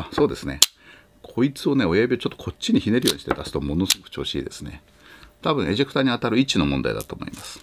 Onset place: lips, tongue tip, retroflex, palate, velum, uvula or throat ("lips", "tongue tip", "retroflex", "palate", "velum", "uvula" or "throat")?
tongue tip